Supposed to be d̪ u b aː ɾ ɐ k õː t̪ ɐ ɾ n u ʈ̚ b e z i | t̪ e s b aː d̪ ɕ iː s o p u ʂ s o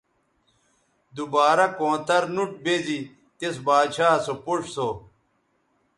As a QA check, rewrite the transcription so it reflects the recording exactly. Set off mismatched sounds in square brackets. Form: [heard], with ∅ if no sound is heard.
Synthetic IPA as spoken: d̪ u b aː ɾ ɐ k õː t̪ ɐ ɾ n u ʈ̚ b e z i | t̪ e s b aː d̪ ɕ [aː] s o p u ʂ s o